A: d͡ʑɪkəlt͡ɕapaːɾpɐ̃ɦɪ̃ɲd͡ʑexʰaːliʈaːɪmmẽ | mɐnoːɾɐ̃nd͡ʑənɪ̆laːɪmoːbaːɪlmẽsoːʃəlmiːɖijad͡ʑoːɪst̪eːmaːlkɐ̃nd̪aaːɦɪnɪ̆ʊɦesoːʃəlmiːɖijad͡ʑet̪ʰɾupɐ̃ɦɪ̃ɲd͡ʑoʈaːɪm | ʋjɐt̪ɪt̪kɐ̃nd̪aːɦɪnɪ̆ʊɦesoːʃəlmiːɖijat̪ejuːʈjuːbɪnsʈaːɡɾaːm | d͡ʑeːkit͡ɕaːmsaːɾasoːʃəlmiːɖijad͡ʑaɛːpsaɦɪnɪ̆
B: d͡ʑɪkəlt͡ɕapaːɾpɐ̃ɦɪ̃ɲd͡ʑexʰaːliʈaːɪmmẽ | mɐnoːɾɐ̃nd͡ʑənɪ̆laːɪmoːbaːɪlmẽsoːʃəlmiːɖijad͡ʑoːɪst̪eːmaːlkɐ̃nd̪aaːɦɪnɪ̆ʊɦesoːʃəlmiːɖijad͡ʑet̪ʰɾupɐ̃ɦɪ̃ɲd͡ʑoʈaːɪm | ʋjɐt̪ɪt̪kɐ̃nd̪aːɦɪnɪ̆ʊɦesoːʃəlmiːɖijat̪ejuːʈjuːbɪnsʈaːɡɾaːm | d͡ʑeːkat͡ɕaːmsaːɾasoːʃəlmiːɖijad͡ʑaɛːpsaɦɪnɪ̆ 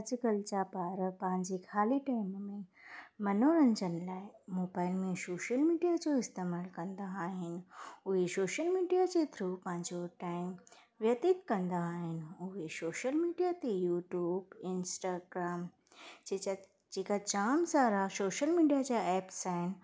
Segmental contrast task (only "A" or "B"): B